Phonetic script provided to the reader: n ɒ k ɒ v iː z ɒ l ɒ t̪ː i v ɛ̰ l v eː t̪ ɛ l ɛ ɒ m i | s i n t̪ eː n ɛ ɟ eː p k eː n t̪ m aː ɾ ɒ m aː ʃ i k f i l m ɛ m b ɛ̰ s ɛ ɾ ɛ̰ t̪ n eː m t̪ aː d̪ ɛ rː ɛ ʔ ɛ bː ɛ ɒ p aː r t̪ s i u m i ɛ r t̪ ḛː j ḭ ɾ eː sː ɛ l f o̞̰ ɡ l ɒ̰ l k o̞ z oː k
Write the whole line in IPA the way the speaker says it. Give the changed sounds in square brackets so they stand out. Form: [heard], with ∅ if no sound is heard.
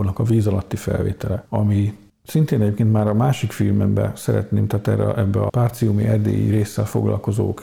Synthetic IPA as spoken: n ɒ k ɒ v iː z ɒ l ɒ t̪ː i [f] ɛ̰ l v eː t̪ ɛ l ɛ ɒ m i | s i n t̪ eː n ɛ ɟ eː p k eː n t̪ m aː ɾ ɒ m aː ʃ i k f i l m ɛ m b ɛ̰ s ɛ ɾ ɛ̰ t̪ n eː m t̪ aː [t̪] ɛ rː ɛ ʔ ɛ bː ɛ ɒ p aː r t̪ s i u m i ɛ r [d̪] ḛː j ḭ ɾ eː sː ɛ l f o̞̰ ɡ l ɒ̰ l k o̞ z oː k